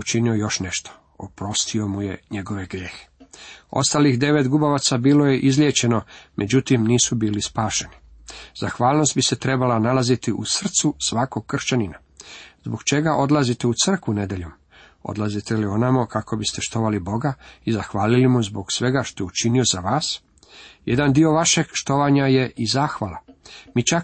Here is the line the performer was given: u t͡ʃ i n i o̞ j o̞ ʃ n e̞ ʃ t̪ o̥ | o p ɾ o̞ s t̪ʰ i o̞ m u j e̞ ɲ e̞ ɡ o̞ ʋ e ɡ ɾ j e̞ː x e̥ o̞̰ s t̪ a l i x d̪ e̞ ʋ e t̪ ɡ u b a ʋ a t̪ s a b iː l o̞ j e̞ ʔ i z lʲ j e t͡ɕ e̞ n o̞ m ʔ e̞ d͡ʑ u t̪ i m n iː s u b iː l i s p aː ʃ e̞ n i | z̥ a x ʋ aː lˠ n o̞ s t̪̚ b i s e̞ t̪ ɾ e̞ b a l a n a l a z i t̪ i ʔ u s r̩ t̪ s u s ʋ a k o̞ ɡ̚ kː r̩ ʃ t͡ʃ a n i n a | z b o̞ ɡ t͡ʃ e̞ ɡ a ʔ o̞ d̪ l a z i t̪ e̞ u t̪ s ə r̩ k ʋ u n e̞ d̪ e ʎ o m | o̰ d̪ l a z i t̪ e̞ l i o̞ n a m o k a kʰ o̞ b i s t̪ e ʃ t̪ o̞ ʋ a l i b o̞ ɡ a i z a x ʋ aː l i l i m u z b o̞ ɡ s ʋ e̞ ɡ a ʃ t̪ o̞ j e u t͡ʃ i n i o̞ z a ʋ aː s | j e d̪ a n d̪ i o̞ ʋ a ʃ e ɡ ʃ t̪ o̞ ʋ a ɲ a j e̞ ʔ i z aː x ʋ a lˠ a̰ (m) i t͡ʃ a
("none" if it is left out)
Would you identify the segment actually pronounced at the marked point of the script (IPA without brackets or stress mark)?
m